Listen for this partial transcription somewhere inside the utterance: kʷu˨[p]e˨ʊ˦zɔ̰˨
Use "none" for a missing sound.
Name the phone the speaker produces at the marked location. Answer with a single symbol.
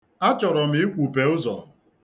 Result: p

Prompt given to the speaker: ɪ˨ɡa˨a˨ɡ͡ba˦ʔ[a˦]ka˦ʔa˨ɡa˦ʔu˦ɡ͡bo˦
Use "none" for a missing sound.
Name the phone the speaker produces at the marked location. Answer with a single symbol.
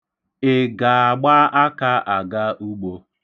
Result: a˦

